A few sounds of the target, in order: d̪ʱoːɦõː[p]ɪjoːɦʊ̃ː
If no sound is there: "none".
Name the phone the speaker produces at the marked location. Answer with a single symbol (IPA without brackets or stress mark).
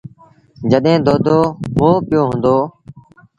p